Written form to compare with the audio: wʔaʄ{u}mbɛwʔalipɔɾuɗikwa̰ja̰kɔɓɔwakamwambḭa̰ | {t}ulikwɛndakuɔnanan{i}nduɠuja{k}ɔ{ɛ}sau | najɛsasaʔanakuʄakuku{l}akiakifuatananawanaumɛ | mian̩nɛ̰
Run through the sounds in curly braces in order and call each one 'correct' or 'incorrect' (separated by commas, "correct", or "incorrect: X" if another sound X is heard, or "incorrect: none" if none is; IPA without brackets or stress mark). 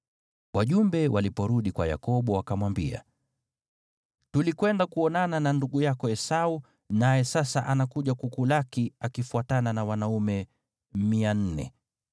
correct, correct, incorrect: a, correct, correct, correct